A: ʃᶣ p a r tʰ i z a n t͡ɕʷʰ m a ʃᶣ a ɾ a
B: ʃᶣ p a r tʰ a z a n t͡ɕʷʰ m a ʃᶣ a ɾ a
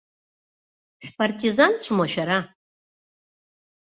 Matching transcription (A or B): A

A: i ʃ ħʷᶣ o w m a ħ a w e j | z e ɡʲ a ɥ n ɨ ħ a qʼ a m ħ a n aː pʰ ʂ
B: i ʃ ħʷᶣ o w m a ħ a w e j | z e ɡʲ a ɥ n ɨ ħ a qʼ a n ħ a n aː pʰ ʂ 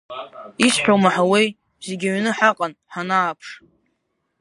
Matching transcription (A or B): B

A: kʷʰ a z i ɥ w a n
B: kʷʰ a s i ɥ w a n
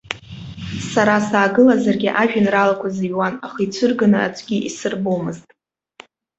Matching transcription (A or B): A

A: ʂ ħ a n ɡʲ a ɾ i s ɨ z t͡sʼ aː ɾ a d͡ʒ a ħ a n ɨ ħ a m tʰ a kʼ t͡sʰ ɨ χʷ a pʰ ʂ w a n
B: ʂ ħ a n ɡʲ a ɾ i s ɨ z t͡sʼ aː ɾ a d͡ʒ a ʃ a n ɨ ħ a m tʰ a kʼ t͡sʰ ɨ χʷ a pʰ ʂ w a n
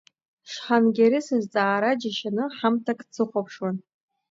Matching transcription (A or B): B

